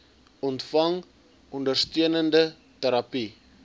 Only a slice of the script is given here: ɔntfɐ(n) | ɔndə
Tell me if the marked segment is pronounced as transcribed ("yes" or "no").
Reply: no